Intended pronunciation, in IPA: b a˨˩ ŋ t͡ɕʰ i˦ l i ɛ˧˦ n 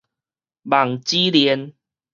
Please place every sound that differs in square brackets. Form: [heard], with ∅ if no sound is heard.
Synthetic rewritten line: b a˨˩ ŋ [t͡ɕ] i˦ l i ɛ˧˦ n